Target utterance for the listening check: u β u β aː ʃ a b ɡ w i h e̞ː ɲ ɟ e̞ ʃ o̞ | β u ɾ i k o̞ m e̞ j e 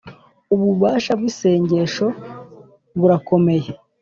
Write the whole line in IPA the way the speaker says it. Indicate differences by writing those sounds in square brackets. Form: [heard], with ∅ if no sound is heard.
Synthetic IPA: u β u β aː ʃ a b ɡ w i [s] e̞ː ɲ ɟ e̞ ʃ o̞ | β u ɾ [a] k o̞ m e̞ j e